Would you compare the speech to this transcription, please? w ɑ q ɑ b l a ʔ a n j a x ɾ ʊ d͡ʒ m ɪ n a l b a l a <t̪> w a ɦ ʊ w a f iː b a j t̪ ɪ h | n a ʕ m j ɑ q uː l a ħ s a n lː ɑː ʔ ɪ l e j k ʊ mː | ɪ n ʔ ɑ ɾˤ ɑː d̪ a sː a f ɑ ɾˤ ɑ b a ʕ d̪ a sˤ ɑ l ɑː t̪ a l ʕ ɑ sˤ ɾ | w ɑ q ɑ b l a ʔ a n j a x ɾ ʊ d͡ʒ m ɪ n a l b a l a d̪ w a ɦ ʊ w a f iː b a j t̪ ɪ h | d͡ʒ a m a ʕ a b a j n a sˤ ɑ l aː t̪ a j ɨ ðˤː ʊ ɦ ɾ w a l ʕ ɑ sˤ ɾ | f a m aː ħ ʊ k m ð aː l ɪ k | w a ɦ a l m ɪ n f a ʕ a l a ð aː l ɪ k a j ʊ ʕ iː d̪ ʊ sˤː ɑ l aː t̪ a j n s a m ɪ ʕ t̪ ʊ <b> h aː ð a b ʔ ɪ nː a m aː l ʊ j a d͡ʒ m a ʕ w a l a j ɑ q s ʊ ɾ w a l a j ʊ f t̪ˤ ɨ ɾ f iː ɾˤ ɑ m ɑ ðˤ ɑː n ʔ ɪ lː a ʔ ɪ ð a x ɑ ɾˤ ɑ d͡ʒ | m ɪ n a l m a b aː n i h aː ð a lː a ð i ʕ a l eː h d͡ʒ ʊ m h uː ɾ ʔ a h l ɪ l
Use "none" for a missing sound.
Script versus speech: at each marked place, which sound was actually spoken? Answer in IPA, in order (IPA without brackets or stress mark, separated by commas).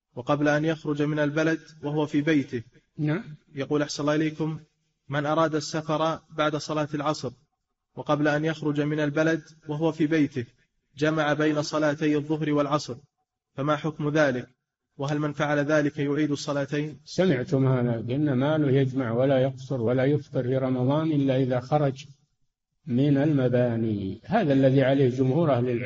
d̪, m